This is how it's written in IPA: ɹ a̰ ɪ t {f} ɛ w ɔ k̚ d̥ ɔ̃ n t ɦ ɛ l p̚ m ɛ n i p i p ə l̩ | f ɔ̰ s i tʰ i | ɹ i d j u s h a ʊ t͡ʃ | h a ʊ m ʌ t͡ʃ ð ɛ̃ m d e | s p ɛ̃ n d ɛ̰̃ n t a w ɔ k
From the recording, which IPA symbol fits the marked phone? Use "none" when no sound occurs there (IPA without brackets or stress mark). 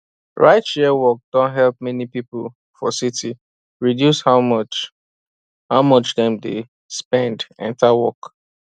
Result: ʃ